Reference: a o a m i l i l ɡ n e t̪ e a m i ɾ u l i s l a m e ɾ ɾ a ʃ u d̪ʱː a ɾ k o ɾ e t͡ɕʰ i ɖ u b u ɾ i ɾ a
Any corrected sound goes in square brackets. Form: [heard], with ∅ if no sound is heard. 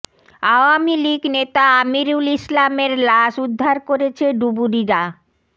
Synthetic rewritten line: a o a m i l i [∅] ɡ n e t̪ [a] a m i ɾ u l i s l a m e ɾ [l] a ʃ u d̪ʱː a ɾ k o ɾ e t͡ɕʰ [e] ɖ u b u ɾ i ɾ a